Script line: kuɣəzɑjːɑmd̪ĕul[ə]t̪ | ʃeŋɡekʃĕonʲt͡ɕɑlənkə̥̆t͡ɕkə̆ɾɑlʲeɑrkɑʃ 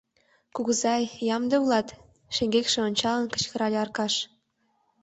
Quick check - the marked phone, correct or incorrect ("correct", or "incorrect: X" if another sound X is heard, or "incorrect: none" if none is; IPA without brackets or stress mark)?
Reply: incorrect: ɑ